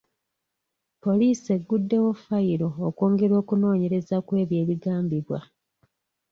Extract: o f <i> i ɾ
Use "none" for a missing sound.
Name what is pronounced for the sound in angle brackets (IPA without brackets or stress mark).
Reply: a